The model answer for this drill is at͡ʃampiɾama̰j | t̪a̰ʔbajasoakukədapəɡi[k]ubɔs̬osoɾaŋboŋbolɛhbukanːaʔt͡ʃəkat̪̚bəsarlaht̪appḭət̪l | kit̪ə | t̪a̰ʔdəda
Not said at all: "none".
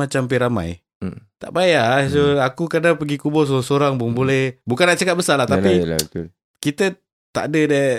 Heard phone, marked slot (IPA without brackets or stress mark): k